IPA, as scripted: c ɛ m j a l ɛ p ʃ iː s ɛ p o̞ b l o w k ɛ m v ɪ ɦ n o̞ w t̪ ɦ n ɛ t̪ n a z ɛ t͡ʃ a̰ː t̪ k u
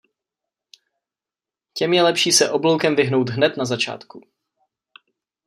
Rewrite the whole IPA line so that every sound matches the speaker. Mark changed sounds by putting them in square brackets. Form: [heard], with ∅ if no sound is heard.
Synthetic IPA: c ɛ m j [ɛ] l ɛ p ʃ iː s ɛ [ʔ] o̞ b l o w k ɛ m v ɪ ɦ n o̞ w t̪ ɦ n ɛ t̪ n a z [a] t͡ʃ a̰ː t̪ k u